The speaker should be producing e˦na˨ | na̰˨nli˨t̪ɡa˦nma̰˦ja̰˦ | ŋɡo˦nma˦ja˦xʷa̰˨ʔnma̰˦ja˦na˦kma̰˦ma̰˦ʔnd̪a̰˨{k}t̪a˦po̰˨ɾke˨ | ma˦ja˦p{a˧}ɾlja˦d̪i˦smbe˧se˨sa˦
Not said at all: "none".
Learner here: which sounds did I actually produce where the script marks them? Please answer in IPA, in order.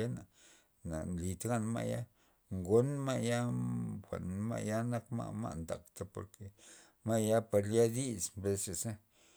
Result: k, a˧

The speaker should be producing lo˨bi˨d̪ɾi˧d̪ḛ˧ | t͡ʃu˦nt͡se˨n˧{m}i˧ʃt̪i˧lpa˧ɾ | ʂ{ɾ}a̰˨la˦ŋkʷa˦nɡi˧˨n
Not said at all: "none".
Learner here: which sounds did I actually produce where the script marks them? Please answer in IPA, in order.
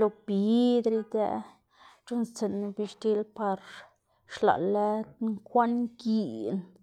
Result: b, l

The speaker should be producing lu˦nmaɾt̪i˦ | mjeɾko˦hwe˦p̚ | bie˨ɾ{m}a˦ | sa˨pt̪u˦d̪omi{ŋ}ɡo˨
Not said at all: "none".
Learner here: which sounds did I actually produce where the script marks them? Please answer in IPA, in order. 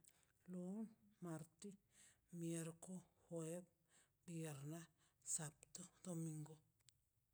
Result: n, ŋ

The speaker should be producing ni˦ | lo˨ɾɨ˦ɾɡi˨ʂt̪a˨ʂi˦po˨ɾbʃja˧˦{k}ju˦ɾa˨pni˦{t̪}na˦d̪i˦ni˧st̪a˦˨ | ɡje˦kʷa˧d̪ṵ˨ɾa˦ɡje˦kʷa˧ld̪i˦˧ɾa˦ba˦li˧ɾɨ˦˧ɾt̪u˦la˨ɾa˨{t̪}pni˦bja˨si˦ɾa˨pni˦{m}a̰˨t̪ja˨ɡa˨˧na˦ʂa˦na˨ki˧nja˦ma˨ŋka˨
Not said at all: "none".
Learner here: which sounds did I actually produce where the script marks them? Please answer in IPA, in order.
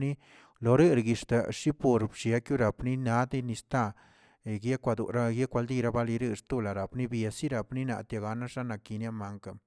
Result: k, none, none, n

